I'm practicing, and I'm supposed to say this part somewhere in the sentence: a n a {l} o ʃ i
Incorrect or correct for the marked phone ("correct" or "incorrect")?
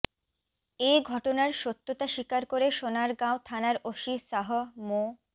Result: incorrect